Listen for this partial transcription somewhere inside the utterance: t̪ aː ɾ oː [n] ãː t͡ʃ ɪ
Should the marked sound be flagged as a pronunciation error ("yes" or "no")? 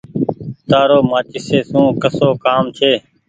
yes